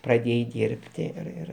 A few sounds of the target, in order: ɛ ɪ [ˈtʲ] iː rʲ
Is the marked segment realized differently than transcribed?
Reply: yes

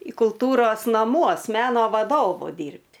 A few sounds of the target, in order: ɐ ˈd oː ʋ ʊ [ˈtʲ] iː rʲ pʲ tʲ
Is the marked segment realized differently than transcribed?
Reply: yes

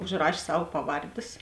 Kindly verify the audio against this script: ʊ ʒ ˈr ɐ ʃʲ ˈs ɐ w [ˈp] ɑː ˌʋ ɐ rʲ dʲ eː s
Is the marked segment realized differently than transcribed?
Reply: no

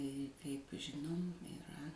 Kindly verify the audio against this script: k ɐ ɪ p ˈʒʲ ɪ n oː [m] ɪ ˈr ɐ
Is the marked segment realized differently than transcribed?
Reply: no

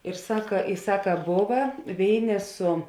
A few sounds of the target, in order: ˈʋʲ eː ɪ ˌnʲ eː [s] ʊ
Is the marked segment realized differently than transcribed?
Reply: no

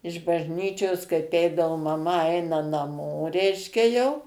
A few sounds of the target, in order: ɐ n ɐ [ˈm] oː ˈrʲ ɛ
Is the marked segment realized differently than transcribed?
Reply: no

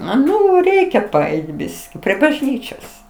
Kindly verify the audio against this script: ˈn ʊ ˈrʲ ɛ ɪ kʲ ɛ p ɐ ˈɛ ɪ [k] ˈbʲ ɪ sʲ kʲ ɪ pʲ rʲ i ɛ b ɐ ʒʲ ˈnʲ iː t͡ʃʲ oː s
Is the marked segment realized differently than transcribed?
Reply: yes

